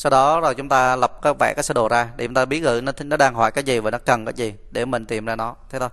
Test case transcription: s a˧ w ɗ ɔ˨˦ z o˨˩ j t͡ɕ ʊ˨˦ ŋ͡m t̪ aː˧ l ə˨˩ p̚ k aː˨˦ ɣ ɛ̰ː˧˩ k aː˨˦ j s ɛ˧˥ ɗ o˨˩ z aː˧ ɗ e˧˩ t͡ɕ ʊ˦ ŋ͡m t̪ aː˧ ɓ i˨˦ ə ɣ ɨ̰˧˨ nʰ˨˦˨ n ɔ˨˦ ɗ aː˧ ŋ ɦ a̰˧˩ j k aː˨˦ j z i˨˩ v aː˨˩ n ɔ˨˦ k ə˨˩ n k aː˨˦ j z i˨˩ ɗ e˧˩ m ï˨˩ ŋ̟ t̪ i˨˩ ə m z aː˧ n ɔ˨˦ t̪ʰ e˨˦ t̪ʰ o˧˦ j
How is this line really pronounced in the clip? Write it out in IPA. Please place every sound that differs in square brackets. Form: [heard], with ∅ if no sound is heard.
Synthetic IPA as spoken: s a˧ w ɗ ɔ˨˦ z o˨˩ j t͡ɕ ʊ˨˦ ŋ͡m t̪ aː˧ l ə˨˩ p̚ k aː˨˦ [v] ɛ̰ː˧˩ k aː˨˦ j s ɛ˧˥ ɗ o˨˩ z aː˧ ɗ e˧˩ t͡ɕ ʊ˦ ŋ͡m t̪ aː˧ ɓ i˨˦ ə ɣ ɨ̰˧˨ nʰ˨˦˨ n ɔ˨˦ ɗ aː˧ ŋ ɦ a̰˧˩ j k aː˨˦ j z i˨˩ v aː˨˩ n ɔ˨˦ k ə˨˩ n k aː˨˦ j z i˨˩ ɗ e˧˩ m ï˨˩ ŋ̟ t̪ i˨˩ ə m z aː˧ n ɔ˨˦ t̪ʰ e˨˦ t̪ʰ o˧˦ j